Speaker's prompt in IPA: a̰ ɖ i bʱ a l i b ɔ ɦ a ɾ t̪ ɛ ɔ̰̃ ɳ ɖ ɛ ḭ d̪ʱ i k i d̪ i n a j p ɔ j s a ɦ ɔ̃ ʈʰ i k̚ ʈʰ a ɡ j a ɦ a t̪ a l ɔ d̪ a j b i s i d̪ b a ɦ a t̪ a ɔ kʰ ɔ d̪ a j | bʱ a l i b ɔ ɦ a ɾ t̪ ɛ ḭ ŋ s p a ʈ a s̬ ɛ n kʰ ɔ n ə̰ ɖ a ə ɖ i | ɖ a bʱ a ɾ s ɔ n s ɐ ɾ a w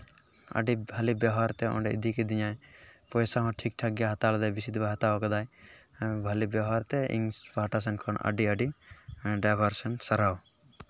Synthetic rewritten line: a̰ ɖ i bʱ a l i b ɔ ɦ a ɾ t̪ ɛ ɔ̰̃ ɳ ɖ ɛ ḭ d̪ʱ i k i d̪ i ɲ a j p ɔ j s a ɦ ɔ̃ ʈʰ i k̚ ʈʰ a ɡ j a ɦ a t̪ a l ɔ d̪ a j b i s i d̪ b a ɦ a t̪ a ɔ k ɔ d̪ a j | bʱ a l i b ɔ ɦ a ɾ t̪ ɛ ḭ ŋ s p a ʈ a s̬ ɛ n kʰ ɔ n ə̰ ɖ i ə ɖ i | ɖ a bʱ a ɾ s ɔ n s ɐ ɾ a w